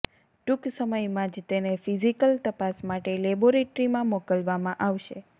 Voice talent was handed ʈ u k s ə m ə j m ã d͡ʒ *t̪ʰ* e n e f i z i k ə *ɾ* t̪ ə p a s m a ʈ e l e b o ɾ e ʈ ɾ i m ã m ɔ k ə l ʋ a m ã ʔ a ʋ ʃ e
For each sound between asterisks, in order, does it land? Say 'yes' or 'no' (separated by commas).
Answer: no, no